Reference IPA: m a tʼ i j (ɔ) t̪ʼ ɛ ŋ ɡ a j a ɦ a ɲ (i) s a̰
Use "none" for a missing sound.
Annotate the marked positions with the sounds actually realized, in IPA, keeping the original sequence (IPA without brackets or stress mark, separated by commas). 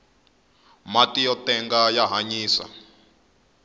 ɔ, iː